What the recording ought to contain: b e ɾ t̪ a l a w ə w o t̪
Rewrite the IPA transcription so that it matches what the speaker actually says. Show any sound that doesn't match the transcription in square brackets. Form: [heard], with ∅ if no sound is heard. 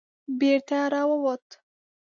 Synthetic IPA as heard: b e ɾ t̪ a [ɾ] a w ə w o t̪